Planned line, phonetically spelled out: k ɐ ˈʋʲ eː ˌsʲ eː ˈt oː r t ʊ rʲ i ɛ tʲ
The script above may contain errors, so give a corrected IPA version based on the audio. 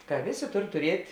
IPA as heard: k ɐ ˈʋʲ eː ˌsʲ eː ˈt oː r t ʊ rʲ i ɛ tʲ